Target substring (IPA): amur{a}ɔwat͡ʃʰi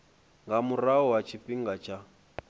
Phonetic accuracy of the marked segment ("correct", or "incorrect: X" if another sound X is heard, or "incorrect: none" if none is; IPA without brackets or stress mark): correct